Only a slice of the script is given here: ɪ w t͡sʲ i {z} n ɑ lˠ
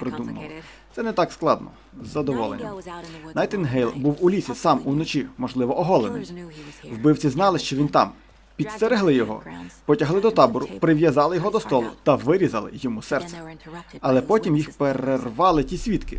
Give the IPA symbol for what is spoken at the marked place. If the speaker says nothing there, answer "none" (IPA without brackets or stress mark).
z